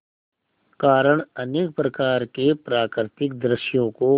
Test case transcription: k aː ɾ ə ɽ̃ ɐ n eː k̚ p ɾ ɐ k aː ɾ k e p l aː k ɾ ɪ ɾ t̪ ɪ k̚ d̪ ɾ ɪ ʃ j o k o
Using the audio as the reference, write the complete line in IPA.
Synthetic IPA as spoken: k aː ɾ ə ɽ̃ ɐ n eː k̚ p ɾ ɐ k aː ɾ k e p ɾ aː k ɾ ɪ t̪ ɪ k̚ d̪ ɾ ɪ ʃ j õ k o